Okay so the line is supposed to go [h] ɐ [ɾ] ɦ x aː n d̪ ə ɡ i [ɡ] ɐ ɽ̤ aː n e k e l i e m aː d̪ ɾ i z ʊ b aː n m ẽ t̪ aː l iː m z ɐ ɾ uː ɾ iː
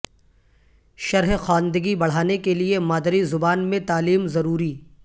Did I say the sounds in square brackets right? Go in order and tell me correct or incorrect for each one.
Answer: incorrect: ʃ, correct, incorrect: b

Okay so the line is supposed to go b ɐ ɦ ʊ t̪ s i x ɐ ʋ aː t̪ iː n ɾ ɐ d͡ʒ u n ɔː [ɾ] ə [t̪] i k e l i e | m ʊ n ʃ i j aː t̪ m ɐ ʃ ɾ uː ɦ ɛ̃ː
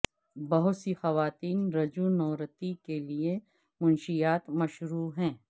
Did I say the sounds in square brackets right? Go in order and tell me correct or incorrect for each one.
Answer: correct, correct

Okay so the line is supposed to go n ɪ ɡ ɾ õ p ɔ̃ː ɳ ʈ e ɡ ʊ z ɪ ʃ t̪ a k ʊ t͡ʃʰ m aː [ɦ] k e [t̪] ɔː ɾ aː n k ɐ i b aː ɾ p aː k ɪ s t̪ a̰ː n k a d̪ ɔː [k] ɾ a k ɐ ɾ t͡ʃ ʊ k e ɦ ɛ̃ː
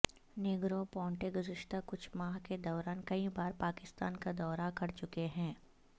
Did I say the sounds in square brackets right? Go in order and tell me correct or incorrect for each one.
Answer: correct, incorrect: d̪, incorrect: none

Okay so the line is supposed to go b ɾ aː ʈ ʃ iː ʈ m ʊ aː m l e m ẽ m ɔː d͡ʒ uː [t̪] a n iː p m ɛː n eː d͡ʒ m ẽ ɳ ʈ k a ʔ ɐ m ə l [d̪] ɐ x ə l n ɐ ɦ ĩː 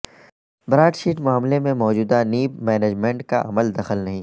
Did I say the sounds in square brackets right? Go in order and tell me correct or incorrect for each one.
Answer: incorrect: d̪, correct

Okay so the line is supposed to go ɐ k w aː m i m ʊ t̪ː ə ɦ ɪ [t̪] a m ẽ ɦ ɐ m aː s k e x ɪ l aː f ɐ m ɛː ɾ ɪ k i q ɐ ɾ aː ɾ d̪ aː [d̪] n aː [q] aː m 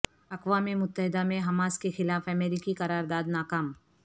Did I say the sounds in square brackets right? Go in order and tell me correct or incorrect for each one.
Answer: incorrect: d̪, correct, incorrect: k

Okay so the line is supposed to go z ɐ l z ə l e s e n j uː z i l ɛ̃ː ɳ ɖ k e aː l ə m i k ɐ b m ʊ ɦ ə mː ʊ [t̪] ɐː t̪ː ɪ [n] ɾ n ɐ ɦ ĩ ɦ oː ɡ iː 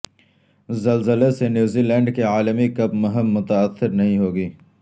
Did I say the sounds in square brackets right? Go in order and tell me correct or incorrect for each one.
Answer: correct, incorrect: none

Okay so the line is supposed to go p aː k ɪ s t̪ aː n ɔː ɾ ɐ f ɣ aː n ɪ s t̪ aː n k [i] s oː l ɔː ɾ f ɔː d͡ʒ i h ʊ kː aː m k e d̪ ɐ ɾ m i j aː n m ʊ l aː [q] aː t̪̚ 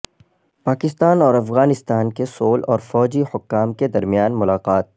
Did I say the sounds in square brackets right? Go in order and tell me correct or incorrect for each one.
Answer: incorrect: e, correct

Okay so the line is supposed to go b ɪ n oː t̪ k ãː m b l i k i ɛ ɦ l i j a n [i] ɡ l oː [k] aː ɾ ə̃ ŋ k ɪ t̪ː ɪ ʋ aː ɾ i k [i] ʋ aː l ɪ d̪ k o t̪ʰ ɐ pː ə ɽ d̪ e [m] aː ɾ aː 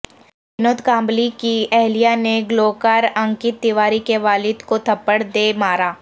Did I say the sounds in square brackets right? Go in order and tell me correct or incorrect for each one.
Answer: incorrect: e, correct, incorrect: e, correct

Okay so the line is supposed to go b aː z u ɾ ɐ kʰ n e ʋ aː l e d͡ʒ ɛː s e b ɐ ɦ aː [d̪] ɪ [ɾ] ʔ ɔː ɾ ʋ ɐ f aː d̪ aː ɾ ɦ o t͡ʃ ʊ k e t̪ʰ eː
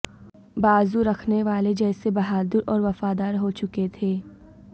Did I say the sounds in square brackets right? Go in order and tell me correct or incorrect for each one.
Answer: correct, correct

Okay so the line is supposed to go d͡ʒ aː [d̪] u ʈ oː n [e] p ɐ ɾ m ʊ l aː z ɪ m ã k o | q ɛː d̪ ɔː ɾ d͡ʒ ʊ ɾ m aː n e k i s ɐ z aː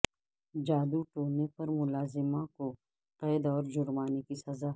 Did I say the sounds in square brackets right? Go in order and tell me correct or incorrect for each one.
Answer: correct, correct

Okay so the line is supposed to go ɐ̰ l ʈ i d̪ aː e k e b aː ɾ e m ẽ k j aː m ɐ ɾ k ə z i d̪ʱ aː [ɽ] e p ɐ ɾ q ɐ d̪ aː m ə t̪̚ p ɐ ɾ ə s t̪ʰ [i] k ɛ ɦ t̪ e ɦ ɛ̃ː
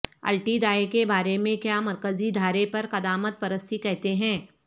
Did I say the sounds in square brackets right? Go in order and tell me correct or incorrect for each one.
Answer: incorrect: ɾ, correct

